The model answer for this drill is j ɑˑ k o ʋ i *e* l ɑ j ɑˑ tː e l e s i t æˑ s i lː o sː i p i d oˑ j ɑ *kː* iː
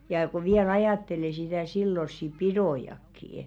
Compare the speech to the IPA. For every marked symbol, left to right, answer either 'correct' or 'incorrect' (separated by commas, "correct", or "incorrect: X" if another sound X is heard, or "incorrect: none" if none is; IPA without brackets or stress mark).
incorrect: æ, correct